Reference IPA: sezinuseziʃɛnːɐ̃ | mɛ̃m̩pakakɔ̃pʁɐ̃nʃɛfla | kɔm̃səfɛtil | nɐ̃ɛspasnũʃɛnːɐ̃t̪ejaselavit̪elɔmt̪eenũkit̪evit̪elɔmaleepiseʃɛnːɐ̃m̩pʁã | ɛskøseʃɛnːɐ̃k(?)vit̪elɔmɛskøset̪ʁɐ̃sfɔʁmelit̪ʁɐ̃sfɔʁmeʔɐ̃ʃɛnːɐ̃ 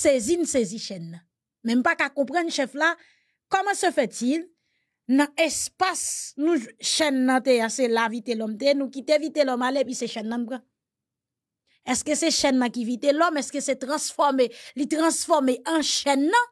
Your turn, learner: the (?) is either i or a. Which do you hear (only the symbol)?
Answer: i